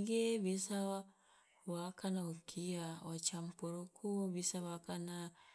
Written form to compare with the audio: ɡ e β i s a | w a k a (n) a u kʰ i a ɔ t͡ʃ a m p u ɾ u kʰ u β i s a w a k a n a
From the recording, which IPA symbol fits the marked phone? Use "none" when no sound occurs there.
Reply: n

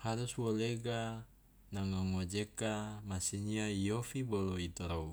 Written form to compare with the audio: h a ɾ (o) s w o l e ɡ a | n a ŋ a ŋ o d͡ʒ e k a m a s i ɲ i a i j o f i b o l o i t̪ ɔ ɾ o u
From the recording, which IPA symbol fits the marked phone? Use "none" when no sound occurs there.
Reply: u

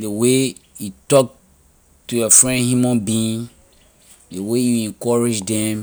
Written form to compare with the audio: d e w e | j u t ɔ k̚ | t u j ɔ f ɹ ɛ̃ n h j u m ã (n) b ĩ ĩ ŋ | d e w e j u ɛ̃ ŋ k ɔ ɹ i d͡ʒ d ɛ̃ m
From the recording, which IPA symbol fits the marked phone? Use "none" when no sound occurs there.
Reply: n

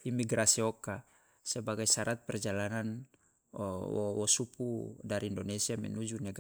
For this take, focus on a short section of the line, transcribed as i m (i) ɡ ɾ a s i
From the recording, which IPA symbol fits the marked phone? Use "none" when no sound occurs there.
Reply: i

